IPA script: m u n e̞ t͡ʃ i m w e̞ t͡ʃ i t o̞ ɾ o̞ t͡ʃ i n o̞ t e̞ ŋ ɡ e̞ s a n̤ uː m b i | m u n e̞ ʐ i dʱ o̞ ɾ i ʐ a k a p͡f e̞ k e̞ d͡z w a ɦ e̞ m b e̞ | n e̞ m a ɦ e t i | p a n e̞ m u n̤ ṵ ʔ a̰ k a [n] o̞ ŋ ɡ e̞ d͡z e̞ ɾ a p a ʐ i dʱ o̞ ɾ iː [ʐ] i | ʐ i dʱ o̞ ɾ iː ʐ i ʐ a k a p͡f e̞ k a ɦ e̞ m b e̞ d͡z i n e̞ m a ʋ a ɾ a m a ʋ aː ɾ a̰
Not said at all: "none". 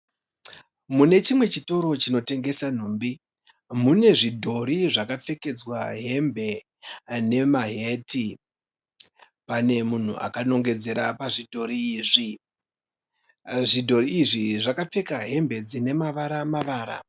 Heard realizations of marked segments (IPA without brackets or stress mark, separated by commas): n, ʐ